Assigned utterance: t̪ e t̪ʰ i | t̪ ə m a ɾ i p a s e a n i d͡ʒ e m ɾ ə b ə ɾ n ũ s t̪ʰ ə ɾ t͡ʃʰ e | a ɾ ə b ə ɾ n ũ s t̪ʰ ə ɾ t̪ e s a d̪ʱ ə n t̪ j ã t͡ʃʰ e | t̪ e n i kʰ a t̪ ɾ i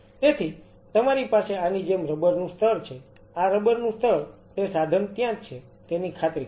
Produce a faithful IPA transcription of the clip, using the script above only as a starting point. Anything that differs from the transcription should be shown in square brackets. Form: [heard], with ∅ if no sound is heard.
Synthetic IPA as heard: t̪ e t̪ʰ i | t̪ ə m a ɾ i p a s e a n i d͡ʒ e m ɾ ə b ə ɾ n ũ s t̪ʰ ə ɾ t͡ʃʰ e | a ɾ ə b ə ɾ n ũ s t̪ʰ ə ɾ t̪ e s a d̪ʱ ə n t̪ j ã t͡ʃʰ e | t̪ e n i kʰ a t̪ ɾ i

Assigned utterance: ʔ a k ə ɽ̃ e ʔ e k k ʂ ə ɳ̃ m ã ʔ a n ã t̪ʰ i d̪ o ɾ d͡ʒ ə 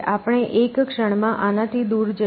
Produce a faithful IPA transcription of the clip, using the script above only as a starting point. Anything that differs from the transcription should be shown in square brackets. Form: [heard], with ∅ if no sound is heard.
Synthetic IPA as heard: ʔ a [p] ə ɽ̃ e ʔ e k k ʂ ə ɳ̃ m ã ʔ a n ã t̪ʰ i d̪ [u] ɾ d͡ʒ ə

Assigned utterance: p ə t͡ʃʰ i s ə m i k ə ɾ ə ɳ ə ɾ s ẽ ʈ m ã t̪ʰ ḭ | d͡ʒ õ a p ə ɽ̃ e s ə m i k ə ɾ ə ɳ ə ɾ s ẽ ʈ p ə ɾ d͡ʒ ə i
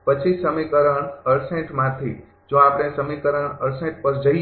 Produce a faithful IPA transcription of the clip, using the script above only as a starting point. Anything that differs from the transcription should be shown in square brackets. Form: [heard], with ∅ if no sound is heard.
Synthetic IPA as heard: p ə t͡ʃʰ i s ə m i k ə ɾ ə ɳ ə ɾ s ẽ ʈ m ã t̪ʰ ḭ | d͡ʒ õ a p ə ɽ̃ e s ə m i k ə ɾ ə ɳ ə ɾ s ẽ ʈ p ə ɾ d͡ʒ ə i

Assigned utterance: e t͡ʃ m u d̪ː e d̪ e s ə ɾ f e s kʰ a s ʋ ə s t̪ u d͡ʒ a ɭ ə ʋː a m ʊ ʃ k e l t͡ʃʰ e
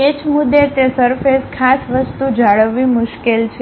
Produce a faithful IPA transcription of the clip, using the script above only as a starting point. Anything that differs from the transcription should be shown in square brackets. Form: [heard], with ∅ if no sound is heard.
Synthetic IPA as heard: e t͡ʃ m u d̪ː e [t̪] e s ə ɾ f e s kʰ a s ʋ ə s t̪ u d͡ʒ a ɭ ə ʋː [i] m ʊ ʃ k e l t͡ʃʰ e

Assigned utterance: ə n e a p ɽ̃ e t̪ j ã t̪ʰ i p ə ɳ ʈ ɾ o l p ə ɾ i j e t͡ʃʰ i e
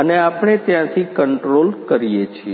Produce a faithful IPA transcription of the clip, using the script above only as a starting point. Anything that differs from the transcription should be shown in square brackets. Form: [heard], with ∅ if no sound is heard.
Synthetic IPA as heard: ə n e a p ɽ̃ e t̪ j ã t̪ʰ i [k] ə ɳ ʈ ɾ o l [k] ə ɾ i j e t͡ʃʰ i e

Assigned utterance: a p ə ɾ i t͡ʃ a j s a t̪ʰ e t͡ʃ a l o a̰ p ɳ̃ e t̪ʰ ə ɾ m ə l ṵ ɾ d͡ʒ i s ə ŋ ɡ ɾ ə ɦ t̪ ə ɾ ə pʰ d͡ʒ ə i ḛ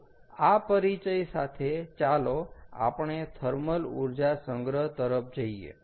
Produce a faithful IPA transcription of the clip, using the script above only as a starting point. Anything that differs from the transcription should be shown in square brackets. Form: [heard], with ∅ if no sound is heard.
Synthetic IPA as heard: a p ə ɾ i t͡ʃ [ə] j s a t̪ʰ e t͡ʃ a l o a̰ p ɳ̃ e t̪ʰ ə ɾ m ə l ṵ ɾ d͡ʒ [a] s ə ŋ ɡ ɾ ə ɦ t̪ ə ɾ ə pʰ d͡ʒ ə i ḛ

